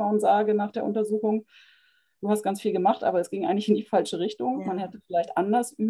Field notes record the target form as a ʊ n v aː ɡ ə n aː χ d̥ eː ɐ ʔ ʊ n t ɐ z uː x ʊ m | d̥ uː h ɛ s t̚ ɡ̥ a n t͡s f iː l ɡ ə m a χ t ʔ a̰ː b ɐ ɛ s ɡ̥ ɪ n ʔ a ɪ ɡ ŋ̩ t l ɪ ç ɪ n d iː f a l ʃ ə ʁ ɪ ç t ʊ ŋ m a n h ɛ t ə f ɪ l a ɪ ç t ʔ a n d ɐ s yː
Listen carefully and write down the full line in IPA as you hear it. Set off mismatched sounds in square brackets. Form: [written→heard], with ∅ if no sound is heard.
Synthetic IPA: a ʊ n [v→z] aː ɡ ə n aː χ d̥ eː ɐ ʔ ʊ n t ɐ z uː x ʊ [m→ŋ] | d̥ uː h [ɛ→a] s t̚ ɡ̥ a n t͡s f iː l ɡ ə m a χ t ʔ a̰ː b ɐ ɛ s ɡ̥ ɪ [n→ŋ] ʔ a ɪ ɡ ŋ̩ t l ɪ ç ɪ n d iː f a l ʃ ə ʁ ɪ ç t ʊ ŋ m a n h ɛ t ə f ɪ l a ɪ ç t ʔ a n d ɐ s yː